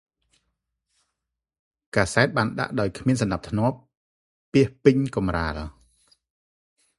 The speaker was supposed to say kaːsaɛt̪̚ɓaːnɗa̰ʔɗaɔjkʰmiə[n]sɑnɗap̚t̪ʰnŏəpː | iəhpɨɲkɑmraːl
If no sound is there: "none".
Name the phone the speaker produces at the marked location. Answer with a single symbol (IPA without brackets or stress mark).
n